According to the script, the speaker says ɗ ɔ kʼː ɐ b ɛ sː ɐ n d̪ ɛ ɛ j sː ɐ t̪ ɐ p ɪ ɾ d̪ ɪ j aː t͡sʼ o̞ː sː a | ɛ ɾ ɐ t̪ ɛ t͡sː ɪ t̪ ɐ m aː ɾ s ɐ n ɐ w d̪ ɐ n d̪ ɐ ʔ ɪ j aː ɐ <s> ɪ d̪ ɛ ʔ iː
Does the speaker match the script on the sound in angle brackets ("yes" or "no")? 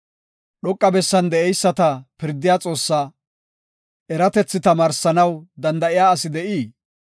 yes